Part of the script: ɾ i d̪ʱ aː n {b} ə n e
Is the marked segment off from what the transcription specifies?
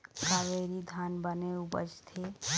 no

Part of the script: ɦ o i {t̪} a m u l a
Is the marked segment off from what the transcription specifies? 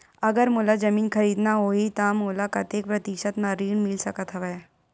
no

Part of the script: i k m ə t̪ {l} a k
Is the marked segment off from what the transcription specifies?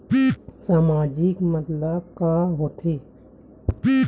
no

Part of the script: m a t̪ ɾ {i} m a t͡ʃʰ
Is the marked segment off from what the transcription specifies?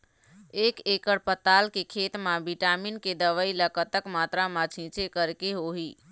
yes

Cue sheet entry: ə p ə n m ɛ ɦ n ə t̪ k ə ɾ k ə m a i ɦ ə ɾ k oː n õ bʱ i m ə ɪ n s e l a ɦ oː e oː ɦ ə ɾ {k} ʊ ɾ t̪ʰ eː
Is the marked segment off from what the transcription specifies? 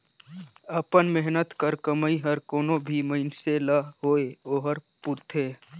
yes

